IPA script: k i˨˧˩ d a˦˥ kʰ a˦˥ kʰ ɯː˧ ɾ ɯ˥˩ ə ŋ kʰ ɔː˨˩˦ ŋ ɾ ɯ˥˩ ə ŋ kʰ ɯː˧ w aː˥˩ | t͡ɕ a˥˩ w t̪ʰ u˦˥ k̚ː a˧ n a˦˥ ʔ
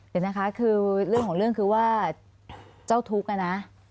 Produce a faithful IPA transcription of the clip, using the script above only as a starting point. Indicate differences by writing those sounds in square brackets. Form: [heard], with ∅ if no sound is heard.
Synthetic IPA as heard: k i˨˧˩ [n] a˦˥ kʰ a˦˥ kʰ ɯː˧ ɾ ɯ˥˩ ə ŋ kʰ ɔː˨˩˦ ŋ ɾ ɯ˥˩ ə ŋ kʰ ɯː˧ w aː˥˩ | t͡ɕ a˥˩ w t̪ʰ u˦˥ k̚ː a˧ n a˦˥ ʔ